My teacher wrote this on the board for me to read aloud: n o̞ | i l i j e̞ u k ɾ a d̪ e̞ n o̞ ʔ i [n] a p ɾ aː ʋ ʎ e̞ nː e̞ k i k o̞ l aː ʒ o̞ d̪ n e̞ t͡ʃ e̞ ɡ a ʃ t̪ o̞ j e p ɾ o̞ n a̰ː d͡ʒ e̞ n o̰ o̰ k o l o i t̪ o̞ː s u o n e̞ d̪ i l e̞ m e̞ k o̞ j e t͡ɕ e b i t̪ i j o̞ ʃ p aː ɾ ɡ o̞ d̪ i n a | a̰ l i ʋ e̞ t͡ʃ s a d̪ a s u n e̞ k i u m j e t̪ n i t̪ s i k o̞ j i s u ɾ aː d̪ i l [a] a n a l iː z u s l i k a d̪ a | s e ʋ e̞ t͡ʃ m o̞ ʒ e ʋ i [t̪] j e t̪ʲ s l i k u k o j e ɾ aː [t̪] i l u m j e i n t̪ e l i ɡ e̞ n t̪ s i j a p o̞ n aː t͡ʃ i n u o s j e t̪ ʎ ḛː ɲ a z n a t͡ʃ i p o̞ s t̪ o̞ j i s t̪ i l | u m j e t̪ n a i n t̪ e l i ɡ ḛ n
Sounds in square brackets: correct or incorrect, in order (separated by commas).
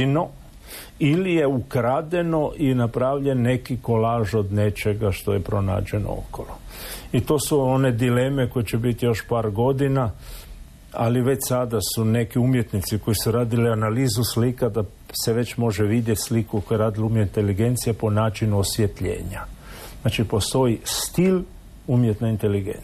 correct, incorrect, incorrect, incorrect